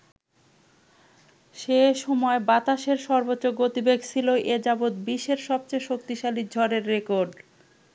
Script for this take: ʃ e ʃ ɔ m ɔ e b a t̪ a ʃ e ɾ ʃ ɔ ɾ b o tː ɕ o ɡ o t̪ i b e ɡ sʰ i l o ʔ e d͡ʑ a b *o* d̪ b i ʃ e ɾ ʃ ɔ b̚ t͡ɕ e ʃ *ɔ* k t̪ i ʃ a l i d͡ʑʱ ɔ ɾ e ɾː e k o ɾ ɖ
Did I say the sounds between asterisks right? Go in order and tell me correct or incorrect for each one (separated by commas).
correct, incorrect